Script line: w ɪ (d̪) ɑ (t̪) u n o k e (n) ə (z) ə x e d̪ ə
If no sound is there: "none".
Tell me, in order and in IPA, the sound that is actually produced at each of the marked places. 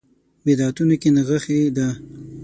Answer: d̪, t̪, n, ɣ

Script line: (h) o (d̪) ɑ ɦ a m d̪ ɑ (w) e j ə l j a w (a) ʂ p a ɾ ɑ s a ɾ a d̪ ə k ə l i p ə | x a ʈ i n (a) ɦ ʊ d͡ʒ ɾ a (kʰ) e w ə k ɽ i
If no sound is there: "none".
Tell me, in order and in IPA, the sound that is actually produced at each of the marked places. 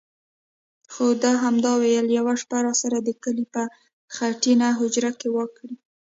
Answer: x, d̪, w, a, a, k

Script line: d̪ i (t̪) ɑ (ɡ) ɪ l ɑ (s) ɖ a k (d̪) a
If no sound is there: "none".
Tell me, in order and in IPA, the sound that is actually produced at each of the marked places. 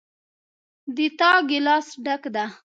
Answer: t̪, ɡ, s, d̪

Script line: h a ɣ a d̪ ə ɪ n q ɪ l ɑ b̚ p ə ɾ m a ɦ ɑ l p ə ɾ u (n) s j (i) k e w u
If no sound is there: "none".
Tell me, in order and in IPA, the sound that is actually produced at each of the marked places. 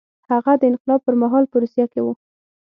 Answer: none, a

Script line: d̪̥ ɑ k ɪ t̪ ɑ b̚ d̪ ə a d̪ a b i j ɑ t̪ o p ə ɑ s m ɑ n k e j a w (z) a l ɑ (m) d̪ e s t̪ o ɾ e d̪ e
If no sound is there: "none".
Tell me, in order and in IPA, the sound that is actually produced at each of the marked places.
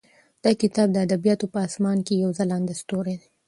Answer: z, n

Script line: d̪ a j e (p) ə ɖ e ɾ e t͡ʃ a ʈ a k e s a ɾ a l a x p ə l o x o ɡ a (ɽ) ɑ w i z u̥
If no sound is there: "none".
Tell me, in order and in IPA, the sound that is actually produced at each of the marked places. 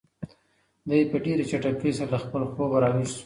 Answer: p, ɾ

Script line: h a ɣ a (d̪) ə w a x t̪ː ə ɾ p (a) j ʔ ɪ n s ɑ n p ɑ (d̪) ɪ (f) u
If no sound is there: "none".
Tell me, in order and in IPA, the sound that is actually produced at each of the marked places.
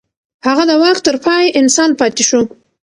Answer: d̪, ɑ, t̪, ʃ

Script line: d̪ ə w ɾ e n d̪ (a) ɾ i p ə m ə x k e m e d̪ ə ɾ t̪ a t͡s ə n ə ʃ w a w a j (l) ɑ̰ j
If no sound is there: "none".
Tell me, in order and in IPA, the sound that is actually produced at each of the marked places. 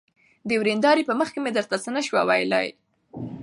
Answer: ɑ, l

